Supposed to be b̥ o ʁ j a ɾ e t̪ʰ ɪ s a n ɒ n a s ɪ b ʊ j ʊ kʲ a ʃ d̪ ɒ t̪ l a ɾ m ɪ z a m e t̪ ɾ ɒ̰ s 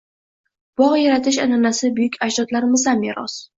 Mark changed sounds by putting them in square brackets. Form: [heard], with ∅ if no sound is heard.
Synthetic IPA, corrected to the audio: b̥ [ɒ] ʁ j a ɾ [a] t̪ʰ ɪ [ʃ] a n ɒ n a s ɪ b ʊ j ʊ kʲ a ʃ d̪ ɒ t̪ l a ɾ m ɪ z a m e [∅] ɾ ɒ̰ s